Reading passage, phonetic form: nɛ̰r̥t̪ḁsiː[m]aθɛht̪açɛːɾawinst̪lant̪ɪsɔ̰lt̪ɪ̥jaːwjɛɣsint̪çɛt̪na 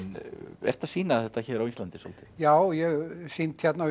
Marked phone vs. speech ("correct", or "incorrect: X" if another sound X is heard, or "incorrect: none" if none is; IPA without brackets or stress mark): incorrect: n